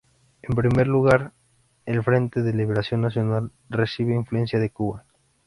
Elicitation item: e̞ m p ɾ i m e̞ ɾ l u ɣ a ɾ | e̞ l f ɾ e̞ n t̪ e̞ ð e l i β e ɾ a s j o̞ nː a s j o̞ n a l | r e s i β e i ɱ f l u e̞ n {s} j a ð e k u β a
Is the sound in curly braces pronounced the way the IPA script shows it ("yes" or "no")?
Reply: yes